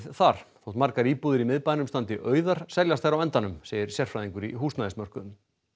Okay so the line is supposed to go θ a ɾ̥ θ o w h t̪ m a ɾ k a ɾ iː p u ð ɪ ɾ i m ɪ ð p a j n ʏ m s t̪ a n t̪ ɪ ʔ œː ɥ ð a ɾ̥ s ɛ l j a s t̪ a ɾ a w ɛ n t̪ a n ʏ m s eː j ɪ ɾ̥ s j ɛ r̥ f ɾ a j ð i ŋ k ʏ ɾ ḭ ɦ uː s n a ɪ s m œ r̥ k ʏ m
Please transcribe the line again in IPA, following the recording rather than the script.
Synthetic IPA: θ a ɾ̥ θ o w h t̪ m a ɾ k a ɾ iː p u ð ɪ ɾ i m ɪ ð p a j n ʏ m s t̪ a n t̪ ɪ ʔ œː ɥ ð a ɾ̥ s ɛ l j a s t̪ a ɾ a w ɛ n t̪ a n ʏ m s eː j ɪ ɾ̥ s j ɛ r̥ f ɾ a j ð i ŋ k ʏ ɾ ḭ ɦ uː s n a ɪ s m œ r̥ k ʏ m